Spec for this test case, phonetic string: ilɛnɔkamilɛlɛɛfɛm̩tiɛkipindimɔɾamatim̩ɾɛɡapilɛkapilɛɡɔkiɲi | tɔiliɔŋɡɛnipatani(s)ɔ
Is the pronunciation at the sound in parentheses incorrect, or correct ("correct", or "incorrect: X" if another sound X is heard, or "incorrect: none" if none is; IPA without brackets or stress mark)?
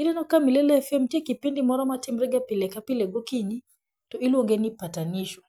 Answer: incorrect: ʃ